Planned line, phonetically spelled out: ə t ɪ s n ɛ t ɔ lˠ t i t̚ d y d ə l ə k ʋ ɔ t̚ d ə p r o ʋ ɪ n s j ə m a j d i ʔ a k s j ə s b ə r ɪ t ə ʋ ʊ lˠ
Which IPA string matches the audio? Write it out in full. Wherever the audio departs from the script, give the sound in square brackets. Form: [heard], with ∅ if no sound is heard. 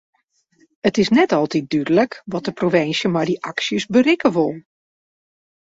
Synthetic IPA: ə t ɪ s n ɛ t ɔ lˠ t i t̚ d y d ə l ə k ʋ ɔ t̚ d ə p r o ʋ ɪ n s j ə m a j d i ʔ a k s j ə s b ə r ɪ [k] ə ʋ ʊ lˠ